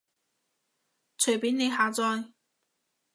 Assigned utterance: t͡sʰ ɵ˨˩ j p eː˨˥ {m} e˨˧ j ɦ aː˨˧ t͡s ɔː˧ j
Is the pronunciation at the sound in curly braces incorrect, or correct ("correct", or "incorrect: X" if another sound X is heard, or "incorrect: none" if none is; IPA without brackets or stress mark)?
incorrect: n